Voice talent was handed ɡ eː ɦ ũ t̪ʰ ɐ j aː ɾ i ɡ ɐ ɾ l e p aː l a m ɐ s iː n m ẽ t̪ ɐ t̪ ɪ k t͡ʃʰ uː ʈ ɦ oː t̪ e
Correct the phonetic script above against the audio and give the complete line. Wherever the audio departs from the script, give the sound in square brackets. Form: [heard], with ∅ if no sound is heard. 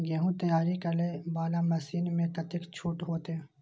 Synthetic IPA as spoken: ɡ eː ɦ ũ [t̪] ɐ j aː ɾ i [k] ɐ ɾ l e [b] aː l a m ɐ s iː n m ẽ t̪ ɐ t̪ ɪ k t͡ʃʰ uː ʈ ɦ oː t̪ e